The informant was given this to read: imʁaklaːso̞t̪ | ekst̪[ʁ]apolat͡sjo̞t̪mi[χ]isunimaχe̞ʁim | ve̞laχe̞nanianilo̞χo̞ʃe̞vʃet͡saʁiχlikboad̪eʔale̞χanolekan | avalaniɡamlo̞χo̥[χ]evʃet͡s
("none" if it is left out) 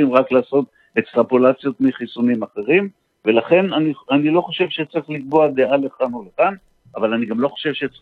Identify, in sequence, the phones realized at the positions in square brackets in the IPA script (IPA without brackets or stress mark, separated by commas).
ʁ, χ, ʃ